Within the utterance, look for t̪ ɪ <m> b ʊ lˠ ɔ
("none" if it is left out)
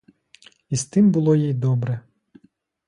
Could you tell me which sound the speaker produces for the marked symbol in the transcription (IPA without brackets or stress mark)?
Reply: m